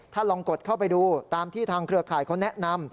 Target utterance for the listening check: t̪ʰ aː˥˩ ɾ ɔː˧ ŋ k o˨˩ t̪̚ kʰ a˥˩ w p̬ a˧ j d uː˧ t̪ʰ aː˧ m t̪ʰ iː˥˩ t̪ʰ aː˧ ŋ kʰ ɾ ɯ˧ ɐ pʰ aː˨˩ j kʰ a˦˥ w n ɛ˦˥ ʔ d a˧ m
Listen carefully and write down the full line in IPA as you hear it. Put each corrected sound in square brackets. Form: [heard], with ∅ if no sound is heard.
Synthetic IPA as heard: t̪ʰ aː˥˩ [l] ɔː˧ ŋ k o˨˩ t̪̚ kʰ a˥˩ w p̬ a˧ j d uː˧ [t̪] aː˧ m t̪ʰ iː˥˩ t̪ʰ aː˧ ŋ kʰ ɾ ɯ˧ ɐ [kʰ] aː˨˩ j kʰ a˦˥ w n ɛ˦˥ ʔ [n] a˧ m